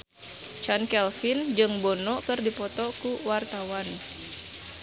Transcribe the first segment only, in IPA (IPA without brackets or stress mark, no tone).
t͡ʃ